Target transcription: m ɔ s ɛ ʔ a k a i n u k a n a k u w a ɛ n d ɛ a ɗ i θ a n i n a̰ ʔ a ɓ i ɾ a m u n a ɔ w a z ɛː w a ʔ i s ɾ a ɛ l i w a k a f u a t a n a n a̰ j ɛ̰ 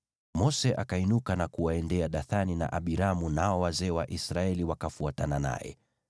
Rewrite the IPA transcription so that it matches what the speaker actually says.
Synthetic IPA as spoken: m ɔ s ɛ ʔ a k a i n u k a n a k u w a ɛ n d ɛ a ɗ a θ a n i n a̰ ʔ a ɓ i ɾ a m u n a ɔ w a z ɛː w a ʔ i s ɾ a ɛ l i w a k a f u a t a n a n a̰ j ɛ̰

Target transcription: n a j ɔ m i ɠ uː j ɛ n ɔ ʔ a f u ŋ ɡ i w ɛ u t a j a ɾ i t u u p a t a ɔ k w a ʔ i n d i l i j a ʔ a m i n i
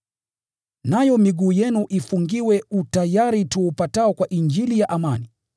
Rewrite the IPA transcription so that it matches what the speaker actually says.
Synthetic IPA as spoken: n a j ɔ m i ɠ uː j ɛ n u ʔ i f u ŋ ɡ i w ɛ u t a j a ɾ i t u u p a t a ɔ k w a ʔ i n d͡ʒ i l i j a ʔ a m a n i

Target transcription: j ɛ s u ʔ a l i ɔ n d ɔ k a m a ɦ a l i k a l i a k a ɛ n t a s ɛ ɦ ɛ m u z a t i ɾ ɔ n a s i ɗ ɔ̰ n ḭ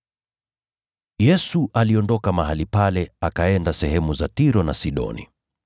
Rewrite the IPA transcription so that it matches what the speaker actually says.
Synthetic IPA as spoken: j ɛ s u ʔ a l i ɔ n d ɔ k a m a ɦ a l i p a l ɛ a k a ɛ n d a s ɛ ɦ ɛ m u z a t i ɾ ɔ n a s i ɗ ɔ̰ n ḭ

